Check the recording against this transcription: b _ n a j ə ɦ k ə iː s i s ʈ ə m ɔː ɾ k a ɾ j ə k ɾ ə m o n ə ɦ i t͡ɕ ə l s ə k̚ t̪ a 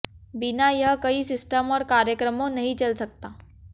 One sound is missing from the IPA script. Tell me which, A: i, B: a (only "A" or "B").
A